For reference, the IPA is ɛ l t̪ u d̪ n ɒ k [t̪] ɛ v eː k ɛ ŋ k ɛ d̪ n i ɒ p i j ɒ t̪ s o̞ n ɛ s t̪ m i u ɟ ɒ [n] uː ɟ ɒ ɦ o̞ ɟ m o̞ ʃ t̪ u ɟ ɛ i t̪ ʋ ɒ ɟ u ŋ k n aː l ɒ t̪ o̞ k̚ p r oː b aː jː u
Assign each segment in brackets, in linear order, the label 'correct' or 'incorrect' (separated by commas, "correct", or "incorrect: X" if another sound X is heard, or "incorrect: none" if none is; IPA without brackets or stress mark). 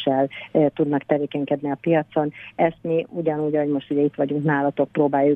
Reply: correct, correct